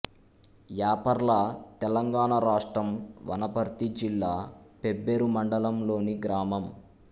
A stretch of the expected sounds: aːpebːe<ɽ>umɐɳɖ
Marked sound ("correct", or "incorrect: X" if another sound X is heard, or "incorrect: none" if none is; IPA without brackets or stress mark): incorrect: ɾ